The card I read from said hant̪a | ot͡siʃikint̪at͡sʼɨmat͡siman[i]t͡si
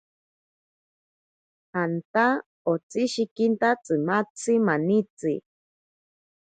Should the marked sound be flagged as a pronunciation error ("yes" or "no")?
no